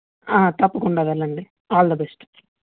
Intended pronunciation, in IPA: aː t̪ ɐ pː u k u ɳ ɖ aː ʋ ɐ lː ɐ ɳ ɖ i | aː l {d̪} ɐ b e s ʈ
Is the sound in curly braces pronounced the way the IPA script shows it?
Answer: yes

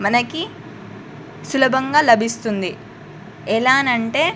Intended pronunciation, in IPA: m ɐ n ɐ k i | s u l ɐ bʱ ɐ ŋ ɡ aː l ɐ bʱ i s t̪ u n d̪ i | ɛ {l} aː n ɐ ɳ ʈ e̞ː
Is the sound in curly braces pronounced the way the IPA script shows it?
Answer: yes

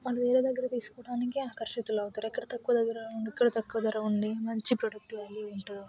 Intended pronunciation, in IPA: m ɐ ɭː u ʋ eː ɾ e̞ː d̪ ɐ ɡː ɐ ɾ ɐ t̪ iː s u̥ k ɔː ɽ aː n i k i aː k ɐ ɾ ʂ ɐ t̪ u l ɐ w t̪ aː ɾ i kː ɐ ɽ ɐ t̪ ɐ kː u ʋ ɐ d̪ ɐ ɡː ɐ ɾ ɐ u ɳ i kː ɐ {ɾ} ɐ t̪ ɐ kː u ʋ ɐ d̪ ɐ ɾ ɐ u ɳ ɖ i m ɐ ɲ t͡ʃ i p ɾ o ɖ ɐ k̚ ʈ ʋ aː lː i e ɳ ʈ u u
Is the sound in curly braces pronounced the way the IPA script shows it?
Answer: no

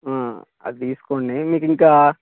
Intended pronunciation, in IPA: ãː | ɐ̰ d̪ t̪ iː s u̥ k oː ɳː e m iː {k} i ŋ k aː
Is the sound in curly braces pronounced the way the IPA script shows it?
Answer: yes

